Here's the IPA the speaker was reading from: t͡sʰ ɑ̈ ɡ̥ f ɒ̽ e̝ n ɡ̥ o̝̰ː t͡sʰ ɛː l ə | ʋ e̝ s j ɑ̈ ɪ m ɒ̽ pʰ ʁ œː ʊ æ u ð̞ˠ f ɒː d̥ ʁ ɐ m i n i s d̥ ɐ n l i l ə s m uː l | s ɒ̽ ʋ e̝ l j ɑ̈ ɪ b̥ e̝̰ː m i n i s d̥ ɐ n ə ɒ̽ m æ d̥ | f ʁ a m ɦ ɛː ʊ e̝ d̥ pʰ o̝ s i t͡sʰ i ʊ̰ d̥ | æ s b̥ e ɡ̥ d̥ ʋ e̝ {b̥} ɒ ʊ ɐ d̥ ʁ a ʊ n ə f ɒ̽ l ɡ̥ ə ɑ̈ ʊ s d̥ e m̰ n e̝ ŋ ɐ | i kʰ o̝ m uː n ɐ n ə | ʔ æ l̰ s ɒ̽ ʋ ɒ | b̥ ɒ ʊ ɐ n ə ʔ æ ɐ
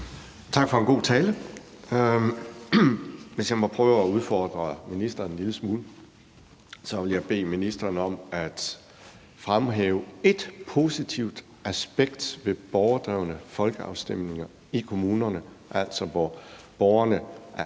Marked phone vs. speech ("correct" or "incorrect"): correct